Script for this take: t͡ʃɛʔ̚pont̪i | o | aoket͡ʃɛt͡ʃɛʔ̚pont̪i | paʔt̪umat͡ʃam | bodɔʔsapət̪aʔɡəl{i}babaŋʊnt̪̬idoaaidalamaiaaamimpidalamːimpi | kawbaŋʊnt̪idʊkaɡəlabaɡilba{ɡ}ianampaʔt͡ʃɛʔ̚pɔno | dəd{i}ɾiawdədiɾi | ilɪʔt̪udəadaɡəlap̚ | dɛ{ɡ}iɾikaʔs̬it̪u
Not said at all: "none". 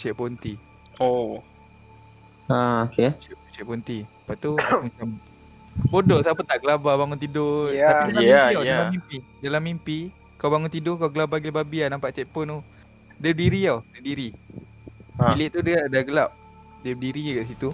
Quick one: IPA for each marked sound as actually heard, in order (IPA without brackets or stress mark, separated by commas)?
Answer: a, b, i, d